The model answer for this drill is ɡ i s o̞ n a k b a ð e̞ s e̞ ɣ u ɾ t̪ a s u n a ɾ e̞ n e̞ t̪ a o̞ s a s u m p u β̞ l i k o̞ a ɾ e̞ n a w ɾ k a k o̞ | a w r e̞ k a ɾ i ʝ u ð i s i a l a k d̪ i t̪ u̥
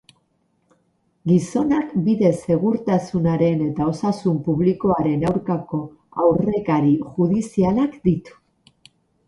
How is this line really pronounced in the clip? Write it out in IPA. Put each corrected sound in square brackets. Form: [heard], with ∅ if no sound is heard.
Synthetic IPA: ɡ i s o̞ n a k b [i] ð e̞ s e̞ ɣ u ɾ t̪ a s u n a ɾ e̞ n e̞ t̪ a o̞ s a s u m p u β̞ l i k o̞ a ɾ e̞ n a w ɾ k a k o̞ | a w r e̞ k a ɾ i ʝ u ð i s i a l a k d̪ i t̪ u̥